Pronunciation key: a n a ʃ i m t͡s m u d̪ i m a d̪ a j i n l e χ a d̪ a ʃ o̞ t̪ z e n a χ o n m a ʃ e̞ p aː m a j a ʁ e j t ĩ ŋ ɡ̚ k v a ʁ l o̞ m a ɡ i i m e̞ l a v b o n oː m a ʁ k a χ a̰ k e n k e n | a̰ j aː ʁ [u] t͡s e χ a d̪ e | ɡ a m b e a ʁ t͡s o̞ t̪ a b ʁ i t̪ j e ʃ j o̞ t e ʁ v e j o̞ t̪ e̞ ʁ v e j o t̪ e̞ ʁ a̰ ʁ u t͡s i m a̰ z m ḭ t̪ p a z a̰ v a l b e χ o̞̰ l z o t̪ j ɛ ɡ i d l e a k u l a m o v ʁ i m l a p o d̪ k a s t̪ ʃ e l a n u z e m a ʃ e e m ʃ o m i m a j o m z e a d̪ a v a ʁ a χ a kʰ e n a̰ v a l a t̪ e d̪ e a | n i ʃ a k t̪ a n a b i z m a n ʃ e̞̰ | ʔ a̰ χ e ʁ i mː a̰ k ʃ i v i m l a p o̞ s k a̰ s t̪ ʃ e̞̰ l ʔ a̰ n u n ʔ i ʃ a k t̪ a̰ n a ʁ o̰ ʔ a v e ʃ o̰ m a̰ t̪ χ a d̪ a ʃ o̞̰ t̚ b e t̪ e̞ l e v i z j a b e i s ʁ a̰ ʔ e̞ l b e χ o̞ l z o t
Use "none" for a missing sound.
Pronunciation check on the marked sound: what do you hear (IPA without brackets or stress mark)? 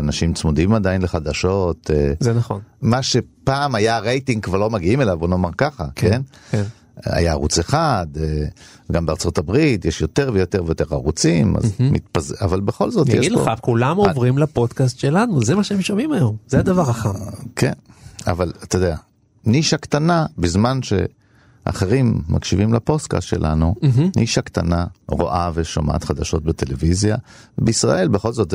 u